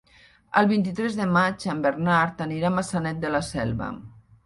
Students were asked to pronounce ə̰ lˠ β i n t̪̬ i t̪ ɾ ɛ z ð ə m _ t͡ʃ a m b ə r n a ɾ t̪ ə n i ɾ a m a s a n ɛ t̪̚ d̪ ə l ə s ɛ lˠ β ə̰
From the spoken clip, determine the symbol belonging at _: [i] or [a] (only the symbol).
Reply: a